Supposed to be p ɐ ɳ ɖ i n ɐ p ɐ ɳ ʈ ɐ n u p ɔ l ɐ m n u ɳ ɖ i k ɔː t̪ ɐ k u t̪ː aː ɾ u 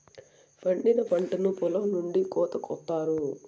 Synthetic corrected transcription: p ɐ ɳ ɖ i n ɐ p ɐ ɳ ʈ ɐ n u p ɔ l ɐ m n u ɳ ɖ i k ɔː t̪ ɐ k ɔ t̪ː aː ɾ u